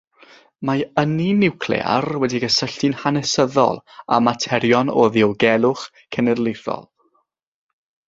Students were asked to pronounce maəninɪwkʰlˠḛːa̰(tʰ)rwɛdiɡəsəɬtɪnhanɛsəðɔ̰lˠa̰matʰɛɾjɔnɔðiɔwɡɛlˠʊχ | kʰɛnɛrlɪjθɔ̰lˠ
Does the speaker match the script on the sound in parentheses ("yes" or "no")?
no